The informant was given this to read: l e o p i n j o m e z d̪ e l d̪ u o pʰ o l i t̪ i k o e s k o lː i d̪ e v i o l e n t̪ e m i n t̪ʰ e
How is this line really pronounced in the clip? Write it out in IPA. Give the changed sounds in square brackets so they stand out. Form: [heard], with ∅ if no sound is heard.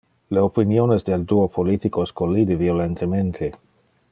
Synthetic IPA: l e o p i n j o [n] e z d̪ e l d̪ u o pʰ o l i t̪ i k o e s k o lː i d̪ e v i o l e n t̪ e m [e] n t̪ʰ e